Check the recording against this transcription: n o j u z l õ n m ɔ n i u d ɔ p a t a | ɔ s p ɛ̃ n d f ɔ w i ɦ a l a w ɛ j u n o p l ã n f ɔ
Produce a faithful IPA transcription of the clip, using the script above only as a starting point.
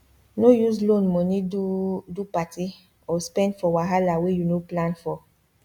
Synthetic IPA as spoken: n o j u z l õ n m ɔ n i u d u p a t i | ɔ s p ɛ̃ n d f ɔ w a ɦ a l a w e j u n o p l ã n f ɔ